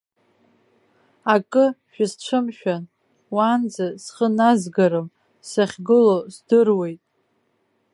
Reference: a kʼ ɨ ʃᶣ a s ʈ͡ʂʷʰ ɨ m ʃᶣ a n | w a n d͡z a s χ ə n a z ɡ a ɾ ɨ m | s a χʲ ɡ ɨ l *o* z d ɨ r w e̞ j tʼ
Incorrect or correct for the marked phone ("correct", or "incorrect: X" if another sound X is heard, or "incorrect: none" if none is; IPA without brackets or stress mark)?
correct